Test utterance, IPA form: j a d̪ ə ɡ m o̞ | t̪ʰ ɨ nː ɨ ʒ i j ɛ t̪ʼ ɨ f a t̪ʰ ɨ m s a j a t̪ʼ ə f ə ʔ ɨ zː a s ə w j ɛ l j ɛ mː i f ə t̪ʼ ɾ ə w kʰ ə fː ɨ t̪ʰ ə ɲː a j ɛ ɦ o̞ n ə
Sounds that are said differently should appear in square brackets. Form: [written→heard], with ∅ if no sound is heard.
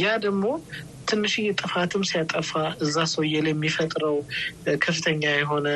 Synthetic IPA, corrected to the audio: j a d̪ ə ɡ m o̞ | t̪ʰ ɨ nː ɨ [ʒ→ʃ] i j ɛ t̪ʼ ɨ f a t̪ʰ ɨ m s [a→i] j a t̪ʼ ə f [ə→a] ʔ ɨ zː a s ə w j ɛ l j ɛ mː i f ə t̪ʼ ɾ ə w kʰ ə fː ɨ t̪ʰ ə ɲː a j ɛ ɦ o̞ n ə